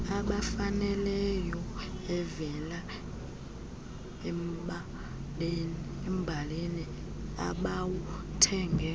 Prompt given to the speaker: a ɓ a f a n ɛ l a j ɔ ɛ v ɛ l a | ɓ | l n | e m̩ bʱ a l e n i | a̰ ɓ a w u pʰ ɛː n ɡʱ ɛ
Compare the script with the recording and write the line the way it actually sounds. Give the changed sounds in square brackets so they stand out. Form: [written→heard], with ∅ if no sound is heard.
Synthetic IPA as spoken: a ɓ a f a n ɛ l [a→ɛ] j ɔ ɛ v ɛ l a | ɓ | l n | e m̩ bʱ a l e n i | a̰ ɓ a w u [pʰ→tʰ] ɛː [n→ŋ] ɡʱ ɛ